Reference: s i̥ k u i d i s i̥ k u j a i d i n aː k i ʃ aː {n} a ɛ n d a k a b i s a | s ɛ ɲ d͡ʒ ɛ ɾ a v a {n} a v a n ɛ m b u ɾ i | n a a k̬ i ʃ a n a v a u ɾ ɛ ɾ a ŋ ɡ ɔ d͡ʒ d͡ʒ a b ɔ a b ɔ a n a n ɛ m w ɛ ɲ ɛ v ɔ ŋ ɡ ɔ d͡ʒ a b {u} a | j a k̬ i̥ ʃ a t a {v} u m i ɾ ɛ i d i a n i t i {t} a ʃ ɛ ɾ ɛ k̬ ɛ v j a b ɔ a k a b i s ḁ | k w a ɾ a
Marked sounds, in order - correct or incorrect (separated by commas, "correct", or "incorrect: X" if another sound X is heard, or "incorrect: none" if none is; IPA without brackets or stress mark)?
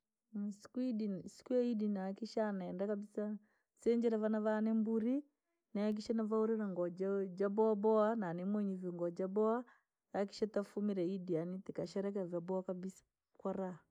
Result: correct, correct, incorrect: ɔ, incorrect: f, incorrect: k